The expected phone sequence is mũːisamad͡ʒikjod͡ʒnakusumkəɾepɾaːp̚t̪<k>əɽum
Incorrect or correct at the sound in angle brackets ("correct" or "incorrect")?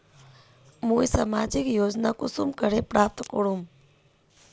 correct